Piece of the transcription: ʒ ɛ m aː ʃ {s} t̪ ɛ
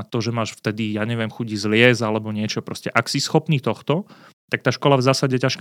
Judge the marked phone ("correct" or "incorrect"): incorrect